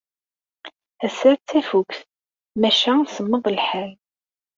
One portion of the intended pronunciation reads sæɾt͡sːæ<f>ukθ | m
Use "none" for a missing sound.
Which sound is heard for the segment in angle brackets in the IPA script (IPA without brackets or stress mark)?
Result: f